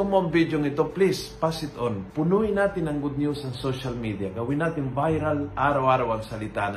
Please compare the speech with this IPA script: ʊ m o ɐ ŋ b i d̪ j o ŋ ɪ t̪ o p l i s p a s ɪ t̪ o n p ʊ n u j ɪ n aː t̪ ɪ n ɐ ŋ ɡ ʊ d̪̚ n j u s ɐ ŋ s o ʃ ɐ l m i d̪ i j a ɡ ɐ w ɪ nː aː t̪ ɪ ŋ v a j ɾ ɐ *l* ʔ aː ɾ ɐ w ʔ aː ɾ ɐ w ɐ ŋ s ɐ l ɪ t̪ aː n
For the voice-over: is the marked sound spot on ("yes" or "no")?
yes